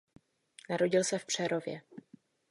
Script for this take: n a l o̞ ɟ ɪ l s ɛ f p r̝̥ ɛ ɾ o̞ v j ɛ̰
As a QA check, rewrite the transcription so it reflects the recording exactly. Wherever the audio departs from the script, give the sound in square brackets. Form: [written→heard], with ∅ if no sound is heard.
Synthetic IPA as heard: n a [l→ɾ] o̞ ɟ ɪ l s ɛ f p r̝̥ ɛ ɾ o̞ v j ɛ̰